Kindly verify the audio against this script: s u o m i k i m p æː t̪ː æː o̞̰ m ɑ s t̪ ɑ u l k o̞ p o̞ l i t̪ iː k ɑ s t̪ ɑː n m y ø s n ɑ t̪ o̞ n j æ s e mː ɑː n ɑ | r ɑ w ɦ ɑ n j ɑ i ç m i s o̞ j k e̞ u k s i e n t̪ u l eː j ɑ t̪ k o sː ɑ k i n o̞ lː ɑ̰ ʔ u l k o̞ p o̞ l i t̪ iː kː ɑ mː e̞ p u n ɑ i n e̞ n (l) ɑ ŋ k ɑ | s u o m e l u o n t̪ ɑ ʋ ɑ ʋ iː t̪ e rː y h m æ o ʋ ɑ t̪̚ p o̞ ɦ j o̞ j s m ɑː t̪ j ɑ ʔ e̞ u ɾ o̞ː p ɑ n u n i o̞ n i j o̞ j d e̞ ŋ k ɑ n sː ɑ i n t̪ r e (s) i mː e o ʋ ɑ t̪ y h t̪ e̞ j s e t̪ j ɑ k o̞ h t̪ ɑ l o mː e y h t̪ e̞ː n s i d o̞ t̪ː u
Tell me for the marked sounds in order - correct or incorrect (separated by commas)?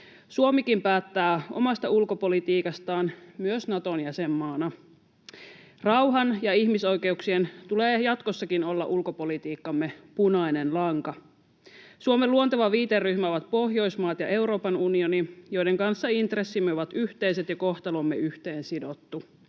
correct, incorrect